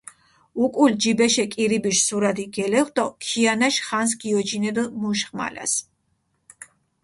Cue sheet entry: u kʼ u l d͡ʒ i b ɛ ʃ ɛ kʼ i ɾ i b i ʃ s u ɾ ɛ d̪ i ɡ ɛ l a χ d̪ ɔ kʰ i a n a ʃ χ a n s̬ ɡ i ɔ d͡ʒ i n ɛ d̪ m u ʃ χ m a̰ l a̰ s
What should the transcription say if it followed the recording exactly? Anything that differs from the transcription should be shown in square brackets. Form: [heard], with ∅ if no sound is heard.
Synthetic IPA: u kʼ u l d͡ʒ i b ɛ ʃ ɛ kʼ i ɾ i b i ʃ s u ɾ [a] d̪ i ɡ ɛ l [ɛ] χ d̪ ɔ kʰ i a n a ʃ χ a n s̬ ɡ i ɔ d͡ʒ i n ɛ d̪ m u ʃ χ m a̰ l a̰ s